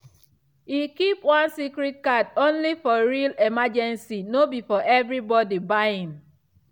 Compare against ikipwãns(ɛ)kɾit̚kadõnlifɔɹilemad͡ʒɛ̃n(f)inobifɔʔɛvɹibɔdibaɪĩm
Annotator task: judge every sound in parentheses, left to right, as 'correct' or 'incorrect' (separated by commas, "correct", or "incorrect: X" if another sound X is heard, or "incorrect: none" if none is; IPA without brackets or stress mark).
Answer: incorrect: i, incorrect: s